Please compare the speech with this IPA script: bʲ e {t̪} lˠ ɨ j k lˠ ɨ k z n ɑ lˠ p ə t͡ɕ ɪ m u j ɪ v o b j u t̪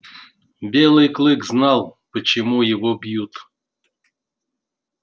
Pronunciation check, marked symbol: incorrect: none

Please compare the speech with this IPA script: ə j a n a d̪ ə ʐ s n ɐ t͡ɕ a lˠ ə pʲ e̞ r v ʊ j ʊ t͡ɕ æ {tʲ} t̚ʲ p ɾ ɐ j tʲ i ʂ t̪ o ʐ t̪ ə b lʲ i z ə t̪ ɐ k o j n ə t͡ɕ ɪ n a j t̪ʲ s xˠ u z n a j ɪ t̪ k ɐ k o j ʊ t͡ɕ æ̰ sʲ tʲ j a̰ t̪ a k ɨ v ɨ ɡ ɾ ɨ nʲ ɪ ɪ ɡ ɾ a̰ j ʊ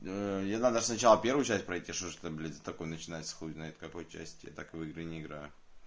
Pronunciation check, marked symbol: incorrect: sʲ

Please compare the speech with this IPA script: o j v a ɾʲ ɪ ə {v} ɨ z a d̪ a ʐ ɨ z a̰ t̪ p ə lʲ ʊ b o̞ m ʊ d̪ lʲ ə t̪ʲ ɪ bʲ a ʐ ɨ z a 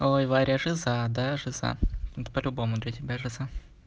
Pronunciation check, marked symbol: incorrect: ʐ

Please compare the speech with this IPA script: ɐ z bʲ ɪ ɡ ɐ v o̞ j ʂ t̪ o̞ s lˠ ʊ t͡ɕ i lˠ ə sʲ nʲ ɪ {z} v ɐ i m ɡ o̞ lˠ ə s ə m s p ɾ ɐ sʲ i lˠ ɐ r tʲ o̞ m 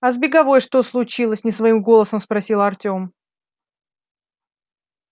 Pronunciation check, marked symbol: incorrect: s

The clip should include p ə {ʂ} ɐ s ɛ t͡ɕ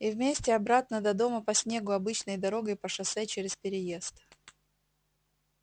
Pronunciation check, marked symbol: correct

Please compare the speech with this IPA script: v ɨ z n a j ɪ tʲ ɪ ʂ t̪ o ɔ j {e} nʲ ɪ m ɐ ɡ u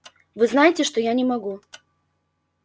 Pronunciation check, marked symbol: incorrect: a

